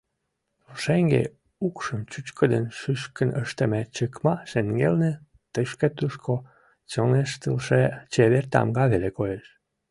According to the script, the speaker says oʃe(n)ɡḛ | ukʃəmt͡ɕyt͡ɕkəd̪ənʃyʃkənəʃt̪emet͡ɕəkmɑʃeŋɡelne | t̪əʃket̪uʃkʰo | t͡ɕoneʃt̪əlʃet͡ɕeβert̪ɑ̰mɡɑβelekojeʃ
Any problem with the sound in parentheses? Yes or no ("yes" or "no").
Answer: yes